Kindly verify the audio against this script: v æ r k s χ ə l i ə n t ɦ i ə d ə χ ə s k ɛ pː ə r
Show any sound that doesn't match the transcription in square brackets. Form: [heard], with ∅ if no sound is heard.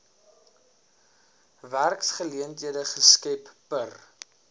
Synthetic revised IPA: v æ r k s χ ə l i ə n t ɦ i ə d ə χ ə s k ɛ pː ə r